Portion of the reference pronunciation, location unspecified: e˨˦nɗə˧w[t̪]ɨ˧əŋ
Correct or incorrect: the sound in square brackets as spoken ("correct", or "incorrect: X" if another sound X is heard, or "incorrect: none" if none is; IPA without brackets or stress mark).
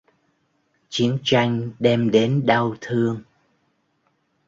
incorrect: t̪ʰ